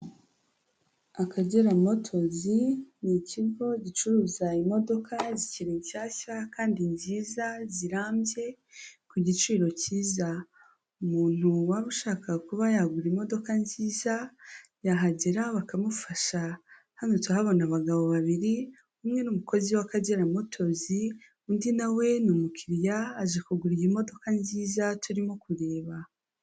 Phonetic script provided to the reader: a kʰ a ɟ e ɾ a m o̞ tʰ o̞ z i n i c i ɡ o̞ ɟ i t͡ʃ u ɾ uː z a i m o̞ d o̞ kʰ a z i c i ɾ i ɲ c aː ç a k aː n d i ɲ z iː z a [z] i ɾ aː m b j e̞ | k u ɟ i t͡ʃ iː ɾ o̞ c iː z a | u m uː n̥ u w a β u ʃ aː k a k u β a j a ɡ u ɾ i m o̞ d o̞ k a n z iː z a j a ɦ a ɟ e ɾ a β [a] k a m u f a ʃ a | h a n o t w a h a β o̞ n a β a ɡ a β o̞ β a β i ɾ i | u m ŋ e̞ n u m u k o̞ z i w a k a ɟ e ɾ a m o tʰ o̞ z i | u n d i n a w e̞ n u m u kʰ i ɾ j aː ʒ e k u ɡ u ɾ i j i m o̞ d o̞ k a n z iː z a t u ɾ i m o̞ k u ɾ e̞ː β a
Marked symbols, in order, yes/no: yes, yes

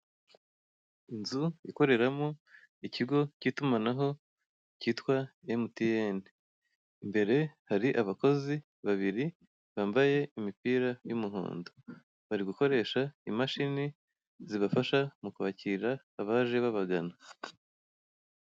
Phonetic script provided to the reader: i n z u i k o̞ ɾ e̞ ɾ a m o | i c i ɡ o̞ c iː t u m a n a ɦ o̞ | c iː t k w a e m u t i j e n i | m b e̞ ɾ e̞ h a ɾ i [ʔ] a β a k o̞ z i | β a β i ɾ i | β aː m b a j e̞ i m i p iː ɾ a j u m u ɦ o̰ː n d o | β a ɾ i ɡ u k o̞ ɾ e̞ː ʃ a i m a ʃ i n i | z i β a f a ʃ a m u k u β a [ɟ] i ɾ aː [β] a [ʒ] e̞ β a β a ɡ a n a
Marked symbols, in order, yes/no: yes, no, yes, yes

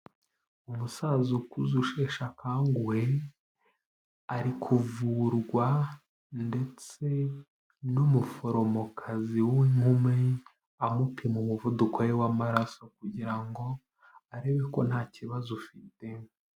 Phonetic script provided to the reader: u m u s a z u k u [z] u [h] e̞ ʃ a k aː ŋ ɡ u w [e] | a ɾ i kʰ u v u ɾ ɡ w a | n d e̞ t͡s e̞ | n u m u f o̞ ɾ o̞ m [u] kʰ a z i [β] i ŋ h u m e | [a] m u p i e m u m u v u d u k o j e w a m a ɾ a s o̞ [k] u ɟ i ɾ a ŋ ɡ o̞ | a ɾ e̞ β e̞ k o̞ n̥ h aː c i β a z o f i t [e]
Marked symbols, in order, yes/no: yes, no, yes, no, no, yes, yes, yes

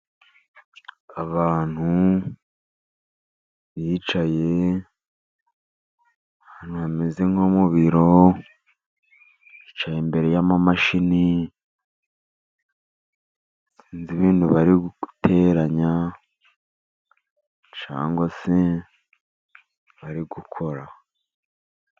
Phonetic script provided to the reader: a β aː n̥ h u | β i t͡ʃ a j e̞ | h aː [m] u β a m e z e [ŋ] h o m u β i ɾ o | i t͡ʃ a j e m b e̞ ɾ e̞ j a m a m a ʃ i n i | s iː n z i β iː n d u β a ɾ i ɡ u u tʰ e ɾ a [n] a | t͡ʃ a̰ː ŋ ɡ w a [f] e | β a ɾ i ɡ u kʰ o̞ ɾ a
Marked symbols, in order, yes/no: no, yes, no, no

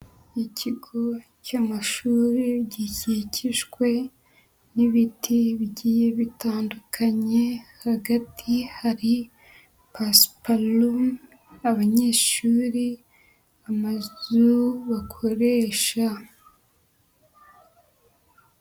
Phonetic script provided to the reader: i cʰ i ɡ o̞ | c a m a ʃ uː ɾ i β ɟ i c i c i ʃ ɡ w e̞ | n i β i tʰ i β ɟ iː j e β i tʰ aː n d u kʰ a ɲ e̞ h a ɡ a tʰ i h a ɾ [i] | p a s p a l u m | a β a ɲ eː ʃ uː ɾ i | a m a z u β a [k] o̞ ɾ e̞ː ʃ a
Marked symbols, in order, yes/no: yes, no

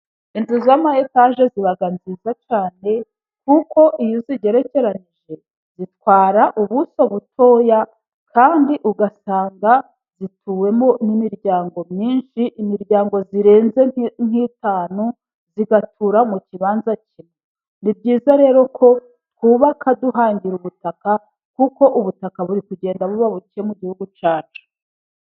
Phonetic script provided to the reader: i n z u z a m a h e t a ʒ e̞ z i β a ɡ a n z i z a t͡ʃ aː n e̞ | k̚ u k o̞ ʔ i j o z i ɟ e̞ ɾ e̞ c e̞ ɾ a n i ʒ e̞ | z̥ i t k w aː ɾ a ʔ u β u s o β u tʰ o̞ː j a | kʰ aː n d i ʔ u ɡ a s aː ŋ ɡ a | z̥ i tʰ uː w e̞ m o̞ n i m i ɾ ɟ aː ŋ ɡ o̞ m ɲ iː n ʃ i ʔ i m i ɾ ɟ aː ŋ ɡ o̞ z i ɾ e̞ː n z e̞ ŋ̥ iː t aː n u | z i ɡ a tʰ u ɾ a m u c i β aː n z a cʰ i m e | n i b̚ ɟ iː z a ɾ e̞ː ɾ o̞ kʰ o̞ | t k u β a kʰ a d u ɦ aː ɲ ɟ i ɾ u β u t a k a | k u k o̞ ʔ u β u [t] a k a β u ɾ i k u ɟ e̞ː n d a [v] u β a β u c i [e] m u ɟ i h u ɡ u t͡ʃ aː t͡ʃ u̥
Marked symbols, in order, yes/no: yes, no, yes

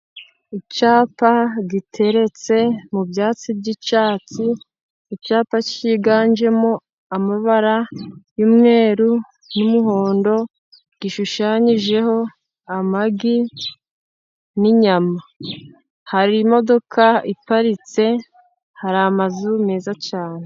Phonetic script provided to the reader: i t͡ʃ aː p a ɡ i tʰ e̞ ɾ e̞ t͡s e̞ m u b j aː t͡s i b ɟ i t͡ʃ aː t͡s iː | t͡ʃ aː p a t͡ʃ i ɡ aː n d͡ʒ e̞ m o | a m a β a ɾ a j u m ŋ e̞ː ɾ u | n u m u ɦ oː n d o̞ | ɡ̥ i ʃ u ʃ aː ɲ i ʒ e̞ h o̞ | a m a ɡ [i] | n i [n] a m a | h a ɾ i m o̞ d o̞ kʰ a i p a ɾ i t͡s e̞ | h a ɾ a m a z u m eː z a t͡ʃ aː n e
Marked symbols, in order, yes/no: yes, no

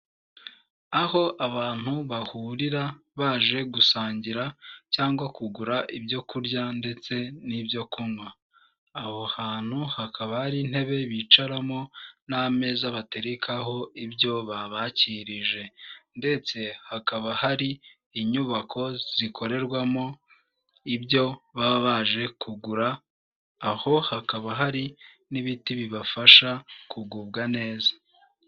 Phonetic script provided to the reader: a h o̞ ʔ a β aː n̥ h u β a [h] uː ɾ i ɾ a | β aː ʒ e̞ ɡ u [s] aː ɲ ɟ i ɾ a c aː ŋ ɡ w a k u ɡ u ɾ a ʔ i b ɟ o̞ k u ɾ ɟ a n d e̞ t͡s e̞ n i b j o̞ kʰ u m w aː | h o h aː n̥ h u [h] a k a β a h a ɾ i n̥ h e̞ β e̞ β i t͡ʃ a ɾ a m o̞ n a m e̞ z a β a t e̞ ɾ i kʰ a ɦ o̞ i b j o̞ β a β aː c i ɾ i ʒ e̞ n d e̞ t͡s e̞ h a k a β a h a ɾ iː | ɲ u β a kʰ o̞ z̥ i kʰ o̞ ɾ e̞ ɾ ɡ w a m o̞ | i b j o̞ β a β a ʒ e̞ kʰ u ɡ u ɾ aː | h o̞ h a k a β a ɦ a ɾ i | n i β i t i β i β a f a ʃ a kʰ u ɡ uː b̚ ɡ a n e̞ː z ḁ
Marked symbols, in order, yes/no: yes, yes, yes

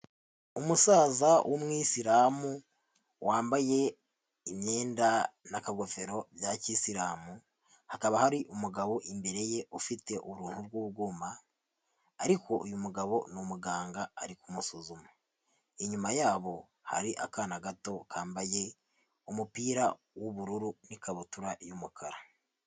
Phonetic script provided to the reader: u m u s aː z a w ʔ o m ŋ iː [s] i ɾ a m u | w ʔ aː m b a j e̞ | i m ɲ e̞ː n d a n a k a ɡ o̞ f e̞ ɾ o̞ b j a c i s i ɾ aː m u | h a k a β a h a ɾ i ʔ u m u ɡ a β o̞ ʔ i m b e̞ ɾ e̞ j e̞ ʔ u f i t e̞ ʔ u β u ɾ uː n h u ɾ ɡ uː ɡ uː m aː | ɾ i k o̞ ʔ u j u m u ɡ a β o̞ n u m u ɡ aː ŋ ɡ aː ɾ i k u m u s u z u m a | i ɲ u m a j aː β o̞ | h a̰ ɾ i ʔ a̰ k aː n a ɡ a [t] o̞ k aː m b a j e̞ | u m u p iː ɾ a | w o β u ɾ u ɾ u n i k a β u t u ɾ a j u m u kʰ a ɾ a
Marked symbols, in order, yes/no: yes, yes

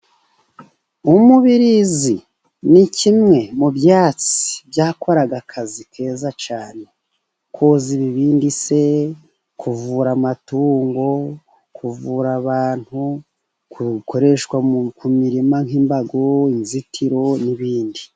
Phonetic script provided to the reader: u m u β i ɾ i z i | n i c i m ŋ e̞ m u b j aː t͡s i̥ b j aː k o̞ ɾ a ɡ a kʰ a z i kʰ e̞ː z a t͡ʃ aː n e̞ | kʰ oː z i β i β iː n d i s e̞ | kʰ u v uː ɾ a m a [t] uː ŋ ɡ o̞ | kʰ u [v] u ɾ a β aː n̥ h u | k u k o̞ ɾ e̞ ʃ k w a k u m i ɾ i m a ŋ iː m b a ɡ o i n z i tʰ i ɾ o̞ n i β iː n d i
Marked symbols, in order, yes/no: yes, yes

